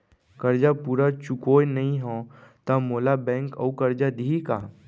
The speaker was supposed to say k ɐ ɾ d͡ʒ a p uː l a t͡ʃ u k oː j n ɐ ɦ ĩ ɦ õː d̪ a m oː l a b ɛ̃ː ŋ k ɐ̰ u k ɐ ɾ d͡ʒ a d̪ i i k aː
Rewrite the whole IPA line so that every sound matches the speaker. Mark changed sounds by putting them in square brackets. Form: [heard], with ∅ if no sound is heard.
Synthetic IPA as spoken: k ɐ ɾ d͡ʒ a p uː [ɾ] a t͡ʃ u k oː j n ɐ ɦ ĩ ɦ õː [t̪] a m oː l a b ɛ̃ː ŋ k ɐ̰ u k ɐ ɾ d͡ʒ a d̪ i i k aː